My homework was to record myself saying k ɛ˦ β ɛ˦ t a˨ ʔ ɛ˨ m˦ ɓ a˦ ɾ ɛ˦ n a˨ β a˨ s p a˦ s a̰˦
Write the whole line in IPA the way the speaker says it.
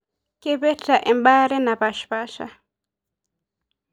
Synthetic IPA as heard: k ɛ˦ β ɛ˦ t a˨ ʔ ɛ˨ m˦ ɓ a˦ ɾ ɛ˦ n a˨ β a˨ ʃ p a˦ ʃ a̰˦